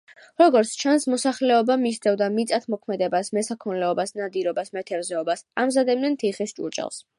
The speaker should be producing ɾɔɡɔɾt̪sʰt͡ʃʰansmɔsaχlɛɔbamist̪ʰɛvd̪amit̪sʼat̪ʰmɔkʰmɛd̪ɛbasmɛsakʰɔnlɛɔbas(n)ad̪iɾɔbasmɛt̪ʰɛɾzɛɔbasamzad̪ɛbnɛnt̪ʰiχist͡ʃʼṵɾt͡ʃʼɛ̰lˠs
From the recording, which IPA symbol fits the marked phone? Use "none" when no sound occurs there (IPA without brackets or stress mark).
n